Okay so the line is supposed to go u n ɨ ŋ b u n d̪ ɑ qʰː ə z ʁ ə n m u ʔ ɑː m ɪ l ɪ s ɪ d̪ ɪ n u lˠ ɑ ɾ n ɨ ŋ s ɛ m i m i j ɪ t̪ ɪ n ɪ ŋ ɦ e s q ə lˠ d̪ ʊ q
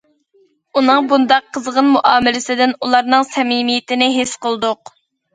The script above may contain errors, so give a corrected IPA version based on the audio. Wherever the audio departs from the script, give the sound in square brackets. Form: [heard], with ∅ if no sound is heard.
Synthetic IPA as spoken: u n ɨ ŋ b u n d̪ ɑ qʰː ə z ʁ ə n m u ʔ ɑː m ɪ l ɪ s ɪ d̪ ɪ n u lˠ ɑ ɾ n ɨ ŋ s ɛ m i m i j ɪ t̪ ɪ n ɪ [∅] ɦ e s q ə lˠ d̪ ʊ q